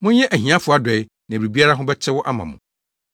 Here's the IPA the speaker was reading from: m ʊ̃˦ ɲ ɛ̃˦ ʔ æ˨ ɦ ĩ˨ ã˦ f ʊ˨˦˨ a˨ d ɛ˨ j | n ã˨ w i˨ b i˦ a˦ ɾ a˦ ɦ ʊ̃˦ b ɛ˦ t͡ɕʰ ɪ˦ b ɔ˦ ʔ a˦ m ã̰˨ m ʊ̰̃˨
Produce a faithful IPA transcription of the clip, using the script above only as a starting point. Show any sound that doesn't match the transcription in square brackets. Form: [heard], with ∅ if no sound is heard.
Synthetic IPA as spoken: m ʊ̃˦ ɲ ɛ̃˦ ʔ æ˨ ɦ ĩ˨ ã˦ f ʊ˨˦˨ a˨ d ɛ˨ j | n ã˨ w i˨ b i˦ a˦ ɾ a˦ ɦ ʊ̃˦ b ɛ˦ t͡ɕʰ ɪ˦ [w] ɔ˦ ʔ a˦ m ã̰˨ m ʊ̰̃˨